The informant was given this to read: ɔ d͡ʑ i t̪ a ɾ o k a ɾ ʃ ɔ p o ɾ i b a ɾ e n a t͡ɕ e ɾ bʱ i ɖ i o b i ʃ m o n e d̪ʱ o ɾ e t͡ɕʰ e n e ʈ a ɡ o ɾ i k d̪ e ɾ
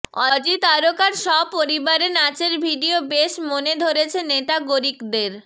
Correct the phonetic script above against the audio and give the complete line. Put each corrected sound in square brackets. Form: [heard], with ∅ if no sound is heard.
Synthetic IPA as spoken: ɔ d͡ʑ i t̪ a ɾ o k a ɾ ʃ ɔ p o ɾ i b a ɾ e n a t͡ɕ e ɾ bʱ i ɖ i o b [e] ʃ m o n e d̪ʱ o ɾ e t͡ɕʰ e n e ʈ a ɡ o ɾ i k d̪ e ɾ